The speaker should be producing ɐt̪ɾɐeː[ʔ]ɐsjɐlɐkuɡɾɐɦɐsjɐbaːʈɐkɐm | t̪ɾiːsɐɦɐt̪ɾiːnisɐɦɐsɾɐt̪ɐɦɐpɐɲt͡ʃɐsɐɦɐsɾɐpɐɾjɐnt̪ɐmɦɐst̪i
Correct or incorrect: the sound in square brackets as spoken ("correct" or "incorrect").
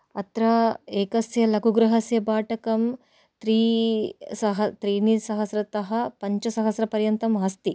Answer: incorrect